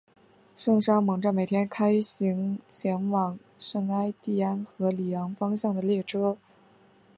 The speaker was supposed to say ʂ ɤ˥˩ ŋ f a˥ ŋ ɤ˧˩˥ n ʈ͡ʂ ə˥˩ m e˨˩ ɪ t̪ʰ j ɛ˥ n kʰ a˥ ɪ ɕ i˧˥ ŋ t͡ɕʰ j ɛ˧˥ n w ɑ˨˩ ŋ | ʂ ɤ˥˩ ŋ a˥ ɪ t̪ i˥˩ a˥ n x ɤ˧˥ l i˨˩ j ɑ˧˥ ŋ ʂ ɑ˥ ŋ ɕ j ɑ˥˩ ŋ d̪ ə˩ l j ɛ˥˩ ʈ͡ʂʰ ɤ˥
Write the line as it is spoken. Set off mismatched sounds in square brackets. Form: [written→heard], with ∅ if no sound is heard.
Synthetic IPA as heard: ʂ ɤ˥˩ ŋ [f→ʂ] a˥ [ŋ→m] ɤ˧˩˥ [n→ŋ] ʈ͡ʂ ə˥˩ m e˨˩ ɪ t̪ʰ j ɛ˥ n kʰ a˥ ɪ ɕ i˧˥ ŋ t͡ɕʰ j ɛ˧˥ n w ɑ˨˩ ŋ | ʂ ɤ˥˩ ŋ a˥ ɪ t̪ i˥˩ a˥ n x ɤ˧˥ l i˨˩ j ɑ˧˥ ŋ [ʂ→f] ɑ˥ ŋ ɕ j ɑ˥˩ ŋ d̪ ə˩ l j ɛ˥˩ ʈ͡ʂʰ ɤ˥